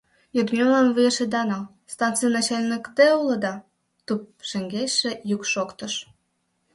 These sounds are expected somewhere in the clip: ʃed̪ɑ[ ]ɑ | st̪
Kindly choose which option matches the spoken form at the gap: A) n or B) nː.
A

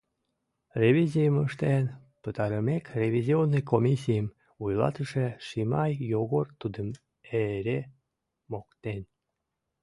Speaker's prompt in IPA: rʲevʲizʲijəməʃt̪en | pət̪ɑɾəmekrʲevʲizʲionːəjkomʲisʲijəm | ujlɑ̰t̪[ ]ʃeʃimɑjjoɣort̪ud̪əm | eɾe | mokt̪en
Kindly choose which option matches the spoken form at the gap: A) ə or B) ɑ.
A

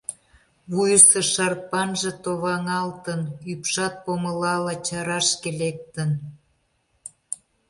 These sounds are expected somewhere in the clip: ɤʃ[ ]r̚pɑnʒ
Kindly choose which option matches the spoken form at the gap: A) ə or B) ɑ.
B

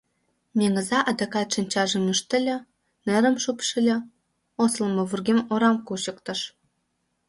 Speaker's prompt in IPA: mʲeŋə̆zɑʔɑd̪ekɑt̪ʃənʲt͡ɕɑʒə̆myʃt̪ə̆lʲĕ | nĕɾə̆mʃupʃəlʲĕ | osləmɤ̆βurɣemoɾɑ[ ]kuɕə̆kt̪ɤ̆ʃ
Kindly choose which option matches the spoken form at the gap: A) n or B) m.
B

